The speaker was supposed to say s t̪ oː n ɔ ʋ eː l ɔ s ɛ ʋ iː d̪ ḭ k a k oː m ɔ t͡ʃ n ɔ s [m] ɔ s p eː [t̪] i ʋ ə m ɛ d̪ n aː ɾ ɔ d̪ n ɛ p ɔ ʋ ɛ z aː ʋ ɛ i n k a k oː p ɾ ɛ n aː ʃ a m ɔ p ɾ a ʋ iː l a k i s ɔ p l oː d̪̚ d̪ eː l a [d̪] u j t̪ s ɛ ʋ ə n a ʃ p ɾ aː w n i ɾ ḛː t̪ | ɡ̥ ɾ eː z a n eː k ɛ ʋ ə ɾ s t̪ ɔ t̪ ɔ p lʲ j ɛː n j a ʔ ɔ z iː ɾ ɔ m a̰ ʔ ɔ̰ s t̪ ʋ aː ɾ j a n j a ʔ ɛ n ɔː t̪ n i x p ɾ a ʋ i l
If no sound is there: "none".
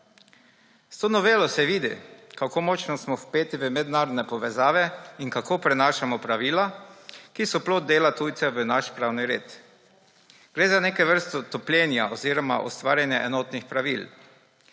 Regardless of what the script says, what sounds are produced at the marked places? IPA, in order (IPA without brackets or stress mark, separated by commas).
m, t̪, t̪